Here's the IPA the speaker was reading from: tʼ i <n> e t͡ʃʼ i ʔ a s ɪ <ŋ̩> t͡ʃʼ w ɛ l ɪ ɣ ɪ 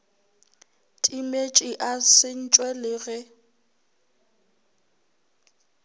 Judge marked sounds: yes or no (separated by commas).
no, no